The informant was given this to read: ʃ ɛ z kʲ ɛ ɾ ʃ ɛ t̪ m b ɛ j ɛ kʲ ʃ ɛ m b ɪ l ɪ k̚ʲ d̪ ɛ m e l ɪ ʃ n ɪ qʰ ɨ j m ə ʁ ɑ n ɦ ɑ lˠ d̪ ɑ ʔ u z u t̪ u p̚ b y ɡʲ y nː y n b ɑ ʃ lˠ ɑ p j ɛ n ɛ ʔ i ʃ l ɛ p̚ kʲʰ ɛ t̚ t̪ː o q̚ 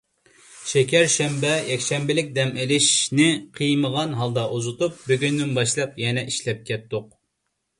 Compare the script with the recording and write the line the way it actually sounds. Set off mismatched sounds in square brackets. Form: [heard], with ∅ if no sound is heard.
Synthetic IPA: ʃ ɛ [∅] kʲ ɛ ɾ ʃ ɛ [∅] m b ɛ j ɛ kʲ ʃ ɛ m b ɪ l ɪ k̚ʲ d̪ ɛ m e l ɪ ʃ n ɪ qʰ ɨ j m ə ʁ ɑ n ɦ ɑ lˠ d̪ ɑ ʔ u z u t̪ u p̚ b y ɡʲ y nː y n b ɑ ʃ lˠ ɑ p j ɛ n ɛ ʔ i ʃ l ɛ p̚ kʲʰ ɛ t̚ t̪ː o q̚